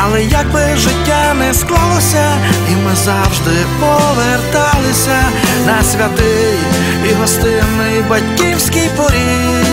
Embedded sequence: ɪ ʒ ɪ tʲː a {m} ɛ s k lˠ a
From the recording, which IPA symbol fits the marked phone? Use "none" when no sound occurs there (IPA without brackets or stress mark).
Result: n